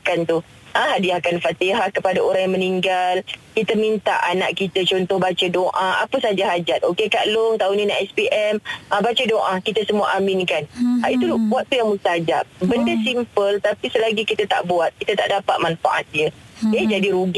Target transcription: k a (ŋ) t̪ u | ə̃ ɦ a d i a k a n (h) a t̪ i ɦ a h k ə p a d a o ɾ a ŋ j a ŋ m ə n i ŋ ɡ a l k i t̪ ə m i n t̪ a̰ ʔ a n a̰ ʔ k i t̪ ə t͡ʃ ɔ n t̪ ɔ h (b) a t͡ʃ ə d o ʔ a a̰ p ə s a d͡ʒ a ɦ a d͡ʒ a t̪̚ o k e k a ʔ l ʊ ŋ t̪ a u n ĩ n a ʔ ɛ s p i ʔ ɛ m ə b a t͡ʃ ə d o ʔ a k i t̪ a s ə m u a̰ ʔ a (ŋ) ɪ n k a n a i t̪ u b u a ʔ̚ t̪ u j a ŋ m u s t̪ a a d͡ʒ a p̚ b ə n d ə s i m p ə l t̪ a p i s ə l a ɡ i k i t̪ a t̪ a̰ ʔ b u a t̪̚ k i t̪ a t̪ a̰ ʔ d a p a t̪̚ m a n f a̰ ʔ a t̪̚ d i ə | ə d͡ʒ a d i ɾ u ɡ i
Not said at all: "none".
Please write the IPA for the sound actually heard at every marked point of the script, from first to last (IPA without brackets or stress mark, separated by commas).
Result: n, f, b, m